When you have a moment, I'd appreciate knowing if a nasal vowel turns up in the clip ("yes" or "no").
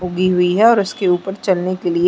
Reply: no